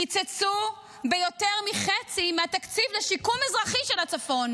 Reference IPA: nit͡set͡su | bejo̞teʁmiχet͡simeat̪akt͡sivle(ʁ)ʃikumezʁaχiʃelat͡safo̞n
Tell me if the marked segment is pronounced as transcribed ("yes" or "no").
no